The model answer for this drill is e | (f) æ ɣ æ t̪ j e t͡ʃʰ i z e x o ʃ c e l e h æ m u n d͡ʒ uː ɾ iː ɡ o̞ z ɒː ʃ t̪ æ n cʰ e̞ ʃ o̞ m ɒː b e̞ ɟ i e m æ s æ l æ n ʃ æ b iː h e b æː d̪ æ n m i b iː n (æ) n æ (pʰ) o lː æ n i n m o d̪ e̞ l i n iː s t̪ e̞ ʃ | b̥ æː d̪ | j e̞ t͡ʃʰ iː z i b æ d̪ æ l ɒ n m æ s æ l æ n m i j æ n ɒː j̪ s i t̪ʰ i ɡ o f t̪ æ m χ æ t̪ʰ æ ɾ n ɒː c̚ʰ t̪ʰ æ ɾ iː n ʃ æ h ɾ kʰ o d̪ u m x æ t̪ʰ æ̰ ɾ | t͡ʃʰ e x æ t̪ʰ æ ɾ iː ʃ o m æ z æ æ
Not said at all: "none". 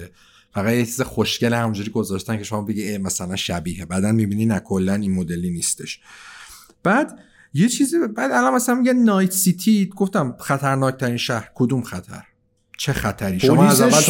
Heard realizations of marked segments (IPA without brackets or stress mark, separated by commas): f, i, kʰ